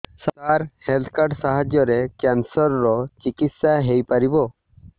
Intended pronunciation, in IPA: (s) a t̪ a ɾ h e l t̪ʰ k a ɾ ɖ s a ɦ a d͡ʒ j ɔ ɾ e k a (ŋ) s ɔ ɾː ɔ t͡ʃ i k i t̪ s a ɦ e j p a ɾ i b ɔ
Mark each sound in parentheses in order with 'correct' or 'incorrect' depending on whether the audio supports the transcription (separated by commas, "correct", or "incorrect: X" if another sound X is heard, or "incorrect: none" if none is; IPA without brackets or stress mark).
correct, incorrect: n